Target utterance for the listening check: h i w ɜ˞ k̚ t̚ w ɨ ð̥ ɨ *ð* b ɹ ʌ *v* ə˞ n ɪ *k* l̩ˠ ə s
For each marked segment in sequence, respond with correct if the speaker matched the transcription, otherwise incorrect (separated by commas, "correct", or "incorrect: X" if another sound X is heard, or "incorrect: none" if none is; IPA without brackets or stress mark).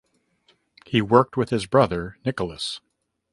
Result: incorrect: z, incorrect: ð, correct